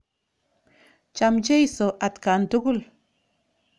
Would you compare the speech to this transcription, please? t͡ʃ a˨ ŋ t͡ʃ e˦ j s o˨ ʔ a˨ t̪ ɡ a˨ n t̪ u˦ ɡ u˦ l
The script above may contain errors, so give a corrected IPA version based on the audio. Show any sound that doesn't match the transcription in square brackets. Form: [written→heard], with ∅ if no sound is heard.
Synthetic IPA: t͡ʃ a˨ [ŋ→m] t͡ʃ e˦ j s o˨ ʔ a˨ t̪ [ɡ→k] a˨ n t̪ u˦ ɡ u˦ l